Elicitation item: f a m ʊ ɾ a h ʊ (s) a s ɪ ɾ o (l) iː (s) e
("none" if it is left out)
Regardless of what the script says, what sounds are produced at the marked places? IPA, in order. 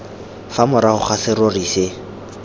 χ, r, s

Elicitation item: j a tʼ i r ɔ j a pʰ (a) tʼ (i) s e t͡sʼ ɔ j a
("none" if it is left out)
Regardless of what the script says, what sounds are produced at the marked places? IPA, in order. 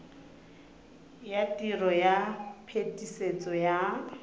e, i

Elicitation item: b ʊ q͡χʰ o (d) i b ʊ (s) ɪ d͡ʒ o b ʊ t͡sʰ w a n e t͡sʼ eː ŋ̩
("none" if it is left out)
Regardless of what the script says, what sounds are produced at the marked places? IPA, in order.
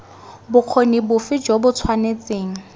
n, f

